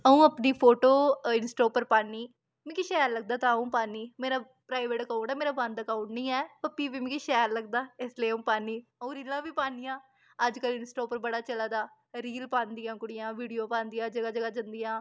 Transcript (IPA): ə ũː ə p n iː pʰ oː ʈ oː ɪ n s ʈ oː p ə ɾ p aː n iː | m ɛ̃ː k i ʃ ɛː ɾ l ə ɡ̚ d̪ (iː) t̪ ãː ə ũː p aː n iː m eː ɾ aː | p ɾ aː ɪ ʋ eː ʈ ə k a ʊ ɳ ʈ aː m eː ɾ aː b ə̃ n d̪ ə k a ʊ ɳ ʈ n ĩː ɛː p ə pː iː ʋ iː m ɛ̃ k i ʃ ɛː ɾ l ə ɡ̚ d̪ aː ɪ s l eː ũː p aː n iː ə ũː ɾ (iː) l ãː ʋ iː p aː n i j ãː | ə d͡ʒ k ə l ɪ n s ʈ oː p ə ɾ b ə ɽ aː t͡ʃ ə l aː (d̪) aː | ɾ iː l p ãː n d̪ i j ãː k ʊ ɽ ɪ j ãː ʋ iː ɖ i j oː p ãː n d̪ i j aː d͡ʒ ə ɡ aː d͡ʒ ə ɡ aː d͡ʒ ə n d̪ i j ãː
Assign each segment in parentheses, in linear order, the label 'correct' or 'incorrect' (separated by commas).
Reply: incorrect, correct, correct